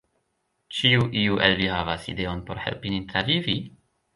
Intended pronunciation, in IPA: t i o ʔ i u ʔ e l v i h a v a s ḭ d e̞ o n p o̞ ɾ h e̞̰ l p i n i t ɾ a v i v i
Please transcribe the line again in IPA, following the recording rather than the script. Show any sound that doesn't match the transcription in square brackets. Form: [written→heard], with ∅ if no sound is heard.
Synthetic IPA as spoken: [t→t͡ʃ] i [o→u] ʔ i u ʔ e l v i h a v a s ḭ d e̞ o n p o̞ ɾ h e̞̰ l p i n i t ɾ a v i v i